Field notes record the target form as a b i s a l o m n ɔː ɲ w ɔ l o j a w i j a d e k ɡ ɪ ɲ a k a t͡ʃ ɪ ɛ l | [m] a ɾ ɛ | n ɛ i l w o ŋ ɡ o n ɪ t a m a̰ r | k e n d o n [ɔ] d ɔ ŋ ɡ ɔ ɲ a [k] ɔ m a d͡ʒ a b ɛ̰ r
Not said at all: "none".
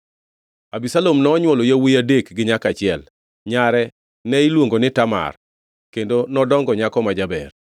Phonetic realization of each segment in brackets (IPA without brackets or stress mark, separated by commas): ɲ, ɔ, k